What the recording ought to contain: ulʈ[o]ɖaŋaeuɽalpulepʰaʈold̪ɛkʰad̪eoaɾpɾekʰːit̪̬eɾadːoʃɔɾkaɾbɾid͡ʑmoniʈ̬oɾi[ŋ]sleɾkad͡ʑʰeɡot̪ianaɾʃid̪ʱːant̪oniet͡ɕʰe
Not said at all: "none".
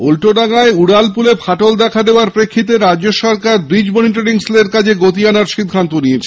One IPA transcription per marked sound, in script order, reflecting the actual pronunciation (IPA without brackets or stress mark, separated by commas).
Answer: o, ŋ